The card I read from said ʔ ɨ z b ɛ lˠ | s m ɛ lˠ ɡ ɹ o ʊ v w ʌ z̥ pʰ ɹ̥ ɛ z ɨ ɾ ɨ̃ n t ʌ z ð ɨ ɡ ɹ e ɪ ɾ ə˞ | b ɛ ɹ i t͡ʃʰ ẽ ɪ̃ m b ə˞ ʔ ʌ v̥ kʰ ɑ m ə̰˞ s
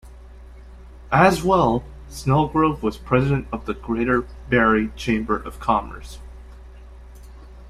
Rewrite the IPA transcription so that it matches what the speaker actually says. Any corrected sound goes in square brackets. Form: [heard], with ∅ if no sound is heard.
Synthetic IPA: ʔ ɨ z [w] ɛ lˠ | s [n] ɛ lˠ ɡ ɹ o ʊ v w ʌ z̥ pʰ ɹ̥ ɛ z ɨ ɾ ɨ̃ n t ʌ [v] ð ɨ ɡ ɹ e ɪ ɾ ə˞ | b ɛ ɹ i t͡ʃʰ ẽ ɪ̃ m b ə˞ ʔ ʌ v̥ kʰ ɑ m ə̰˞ s